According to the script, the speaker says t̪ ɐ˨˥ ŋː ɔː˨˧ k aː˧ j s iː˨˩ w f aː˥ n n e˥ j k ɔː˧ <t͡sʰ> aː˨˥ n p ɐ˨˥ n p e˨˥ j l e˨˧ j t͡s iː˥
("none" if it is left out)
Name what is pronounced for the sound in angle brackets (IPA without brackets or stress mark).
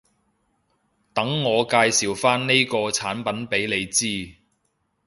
t͡sʰ